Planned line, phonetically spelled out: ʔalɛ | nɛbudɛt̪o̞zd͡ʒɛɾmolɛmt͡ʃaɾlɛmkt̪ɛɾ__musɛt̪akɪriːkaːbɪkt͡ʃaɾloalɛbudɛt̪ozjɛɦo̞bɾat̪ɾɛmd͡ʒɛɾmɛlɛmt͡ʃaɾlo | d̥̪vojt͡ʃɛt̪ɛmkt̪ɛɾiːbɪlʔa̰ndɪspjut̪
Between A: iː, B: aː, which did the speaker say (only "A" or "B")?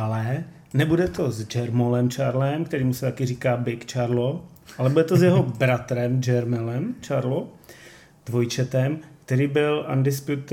A